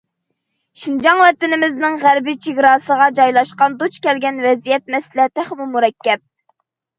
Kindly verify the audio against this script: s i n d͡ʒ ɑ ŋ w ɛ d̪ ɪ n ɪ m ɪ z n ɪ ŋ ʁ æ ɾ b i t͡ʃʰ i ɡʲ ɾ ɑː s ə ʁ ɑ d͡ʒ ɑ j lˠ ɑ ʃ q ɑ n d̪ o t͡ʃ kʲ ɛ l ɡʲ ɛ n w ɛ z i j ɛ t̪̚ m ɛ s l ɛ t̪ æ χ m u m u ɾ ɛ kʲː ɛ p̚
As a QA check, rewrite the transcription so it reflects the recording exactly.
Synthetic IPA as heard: ʃ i n d͡ʒ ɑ ŋ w ɛ t̪ ɪ n ɪ m ɪ z n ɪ ŋ ʁ æ ɾ b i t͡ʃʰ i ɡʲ ɾ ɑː s ə ʁ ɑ d͡ʒ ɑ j lˠ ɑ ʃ q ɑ n d̪ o t͡ʃ kʲ ɛ l ɡʲ ɛ n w ɛ z i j ɛ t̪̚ m ɛ s l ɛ t̪ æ χ m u m u ɾ ɛ kʲː ɛ p̚